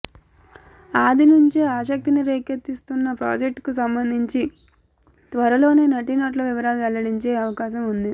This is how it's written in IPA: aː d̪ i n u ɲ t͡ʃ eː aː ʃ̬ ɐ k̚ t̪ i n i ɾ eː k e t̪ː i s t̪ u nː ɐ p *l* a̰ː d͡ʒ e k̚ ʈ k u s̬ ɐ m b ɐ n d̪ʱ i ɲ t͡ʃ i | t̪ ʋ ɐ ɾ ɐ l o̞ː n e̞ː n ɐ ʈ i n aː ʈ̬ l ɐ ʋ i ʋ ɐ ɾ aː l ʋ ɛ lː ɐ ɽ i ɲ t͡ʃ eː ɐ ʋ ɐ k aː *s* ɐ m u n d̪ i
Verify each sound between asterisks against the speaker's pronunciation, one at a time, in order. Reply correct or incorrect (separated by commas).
incorrect, incorrect